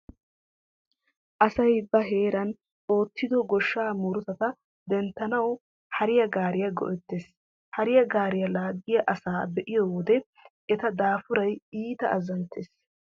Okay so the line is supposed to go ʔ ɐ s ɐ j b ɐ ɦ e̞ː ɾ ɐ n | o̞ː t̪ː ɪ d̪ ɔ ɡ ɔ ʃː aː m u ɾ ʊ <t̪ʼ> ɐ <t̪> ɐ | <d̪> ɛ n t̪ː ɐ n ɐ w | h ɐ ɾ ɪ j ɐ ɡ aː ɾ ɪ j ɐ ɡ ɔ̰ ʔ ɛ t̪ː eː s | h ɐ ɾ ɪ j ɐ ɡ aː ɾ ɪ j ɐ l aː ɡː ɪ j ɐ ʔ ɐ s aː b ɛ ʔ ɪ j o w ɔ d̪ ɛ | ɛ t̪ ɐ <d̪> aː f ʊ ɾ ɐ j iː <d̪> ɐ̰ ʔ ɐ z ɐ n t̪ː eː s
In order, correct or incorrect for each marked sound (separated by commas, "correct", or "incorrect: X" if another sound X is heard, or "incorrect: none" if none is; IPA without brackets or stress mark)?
incorrect: t̪, correct, correct, correct, incorrect: t̪